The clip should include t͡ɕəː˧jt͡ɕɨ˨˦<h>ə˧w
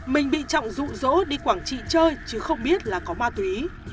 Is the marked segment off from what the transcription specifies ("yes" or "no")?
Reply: yes